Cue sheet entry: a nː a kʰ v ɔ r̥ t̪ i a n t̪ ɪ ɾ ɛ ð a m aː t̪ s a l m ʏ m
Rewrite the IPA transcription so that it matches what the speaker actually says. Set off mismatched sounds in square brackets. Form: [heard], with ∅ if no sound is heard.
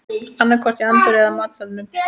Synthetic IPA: a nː a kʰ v ɔ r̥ t̪ i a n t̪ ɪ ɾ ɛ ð a m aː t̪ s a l [n] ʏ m